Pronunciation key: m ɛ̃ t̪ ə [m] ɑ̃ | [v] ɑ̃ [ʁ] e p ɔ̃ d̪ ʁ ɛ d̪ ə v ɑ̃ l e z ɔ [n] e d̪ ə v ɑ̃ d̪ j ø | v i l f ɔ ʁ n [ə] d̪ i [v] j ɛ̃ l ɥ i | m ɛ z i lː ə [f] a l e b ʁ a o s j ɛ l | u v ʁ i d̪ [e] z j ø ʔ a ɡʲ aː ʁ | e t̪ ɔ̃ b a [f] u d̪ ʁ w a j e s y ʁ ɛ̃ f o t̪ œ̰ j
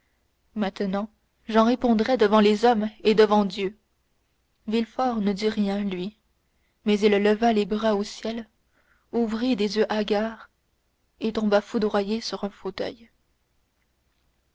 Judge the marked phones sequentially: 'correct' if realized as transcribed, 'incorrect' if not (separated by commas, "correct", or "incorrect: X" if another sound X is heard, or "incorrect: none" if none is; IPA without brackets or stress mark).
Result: incorrect: n, incorrect: ʒ, correct, incorrect: m, correct, incorrect: ʁ, incorrect: v, correct, correct